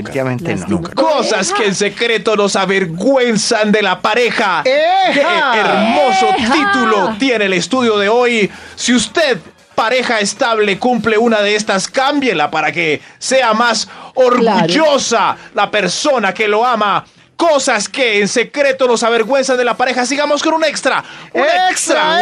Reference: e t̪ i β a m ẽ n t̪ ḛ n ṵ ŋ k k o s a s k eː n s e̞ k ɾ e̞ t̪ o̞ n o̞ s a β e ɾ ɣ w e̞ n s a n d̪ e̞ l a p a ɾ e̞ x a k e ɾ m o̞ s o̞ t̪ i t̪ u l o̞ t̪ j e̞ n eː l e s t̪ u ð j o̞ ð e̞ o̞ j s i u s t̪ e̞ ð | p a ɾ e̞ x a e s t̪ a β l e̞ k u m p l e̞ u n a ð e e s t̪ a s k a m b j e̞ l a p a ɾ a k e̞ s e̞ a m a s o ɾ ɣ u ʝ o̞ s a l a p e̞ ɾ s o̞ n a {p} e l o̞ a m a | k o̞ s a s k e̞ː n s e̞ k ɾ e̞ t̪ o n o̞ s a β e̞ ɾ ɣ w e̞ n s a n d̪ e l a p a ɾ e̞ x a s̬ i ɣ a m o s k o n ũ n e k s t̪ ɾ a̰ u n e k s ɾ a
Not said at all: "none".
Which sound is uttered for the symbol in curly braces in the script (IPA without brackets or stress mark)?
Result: k